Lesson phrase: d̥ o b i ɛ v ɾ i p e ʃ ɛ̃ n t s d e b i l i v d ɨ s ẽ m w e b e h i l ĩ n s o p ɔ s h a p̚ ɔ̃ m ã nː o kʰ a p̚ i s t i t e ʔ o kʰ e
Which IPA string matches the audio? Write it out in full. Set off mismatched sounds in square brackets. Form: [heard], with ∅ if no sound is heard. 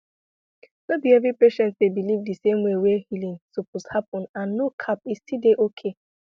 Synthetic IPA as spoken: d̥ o b i ɛ v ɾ i p e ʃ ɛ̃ n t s d e b i l i v d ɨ s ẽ m w e [w] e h i l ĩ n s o p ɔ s h a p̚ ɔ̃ [n] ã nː o kʰ a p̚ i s t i [d] e ʔ o kʰ e

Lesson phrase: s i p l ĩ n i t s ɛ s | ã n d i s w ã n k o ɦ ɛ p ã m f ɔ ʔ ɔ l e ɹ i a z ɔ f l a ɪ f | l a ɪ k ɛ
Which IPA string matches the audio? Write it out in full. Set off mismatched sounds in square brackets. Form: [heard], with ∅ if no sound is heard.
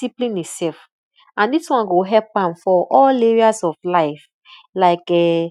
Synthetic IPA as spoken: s i p l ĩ n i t s ɛ [f] | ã n d i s w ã n [ɡ] o ɦ ɛ p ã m f ɔ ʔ ɔ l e ɹ i a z ɔ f l a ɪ f | l a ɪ k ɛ

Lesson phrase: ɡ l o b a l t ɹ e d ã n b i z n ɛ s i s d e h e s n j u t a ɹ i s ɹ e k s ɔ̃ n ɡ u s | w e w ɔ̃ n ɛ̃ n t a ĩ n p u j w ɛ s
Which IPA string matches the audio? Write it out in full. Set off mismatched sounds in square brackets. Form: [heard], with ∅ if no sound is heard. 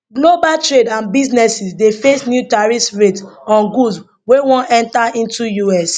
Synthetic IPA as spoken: ɡ l o b a l t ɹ e d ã n b i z n ɛ s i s d e [f] e s n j u t a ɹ i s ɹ e [t] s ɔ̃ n ɡ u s | w e w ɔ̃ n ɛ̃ n t a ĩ n [t] u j [u] ɛ s

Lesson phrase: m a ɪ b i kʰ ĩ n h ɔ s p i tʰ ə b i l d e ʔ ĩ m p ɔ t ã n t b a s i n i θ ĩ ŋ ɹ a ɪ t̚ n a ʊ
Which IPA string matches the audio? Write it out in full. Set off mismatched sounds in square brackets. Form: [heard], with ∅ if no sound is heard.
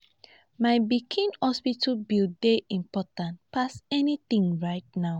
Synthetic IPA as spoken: m a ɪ b i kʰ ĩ n h ɔ s p i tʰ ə b i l d e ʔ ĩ m p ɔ t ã n t [p] a s [ɛ] n i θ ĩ ŋ ɹ a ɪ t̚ n a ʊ

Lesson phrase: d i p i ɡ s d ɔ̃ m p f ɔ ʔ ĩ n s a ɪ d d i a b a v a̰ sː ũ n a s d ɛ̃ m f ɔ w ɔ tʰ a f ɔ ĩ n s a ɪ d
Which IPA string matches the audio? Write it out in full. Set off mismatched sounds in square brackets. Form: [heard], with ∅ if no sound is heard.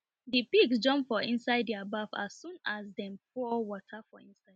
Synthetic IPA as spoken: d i p i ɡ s [d͡ʒ] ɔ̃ m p f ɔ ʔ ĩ n s a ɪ d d i a b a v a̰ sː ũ n a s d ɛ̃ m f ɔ w ɔ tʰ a f ɔ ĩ n s a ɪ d

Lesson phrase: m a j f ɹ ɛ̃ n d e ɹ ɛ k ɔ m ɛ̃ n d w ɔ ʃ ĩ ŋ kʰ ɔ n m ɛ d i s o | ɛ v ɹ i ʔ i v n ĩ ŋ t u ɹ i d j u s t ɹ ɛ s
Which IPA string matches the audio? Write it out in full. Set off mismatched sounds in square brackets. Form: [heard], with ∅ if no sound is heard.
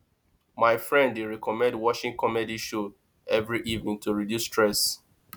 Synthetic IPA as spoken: m a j f ɹ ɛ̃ n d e ɹ ɛ k ɔ m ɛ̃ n d w ɔ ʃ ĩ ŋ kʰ ɔ [∅] m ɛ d i [ʃ] o | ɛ v ɹ i ʔ i v n ĩ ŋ t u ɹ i d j u s t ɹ ɛ s

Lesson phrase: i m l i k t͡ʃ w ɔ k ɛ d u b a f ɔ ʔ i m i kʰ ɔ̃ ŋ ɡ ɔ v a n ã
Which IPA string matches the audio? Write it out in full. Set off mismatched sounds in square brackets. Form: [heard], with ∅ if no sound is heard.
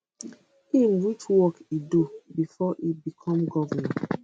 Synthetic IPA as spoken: i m [ɹ] i [∅] t͡ʃ w ɔ k [i] d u b [i] f ɔ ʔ i [b] i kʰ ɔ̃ [m] ɡ ɔ v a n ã

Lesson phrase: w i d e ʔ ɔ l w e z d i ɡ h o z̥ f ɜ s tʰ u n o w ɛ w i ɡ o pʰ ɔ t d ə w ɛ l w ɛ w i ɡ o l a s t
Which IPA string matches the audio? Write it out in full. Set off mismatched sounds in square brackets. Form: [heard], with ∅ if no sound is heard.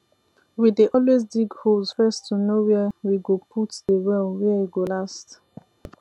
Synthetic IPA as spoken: w i d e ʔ ɔ l w e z d i ɡ h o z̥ f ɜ s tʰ u n o w ɛ w i ɡ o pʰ [u] t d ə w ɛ l w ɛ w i ɡ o l a s t

